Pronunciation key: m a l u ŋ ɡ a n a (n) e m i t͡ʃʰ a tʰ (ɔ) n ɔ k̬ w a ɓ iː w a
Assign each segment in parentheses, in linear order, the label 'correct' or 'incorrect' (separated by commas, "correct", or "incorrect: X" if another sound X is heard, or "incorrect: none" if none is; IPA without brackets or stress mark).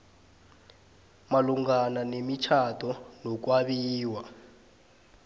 correct, correct